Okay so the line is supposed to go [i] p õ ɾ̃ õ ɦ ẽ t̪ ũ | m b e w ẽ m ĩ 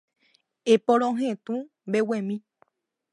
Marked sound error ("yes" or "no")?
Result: yes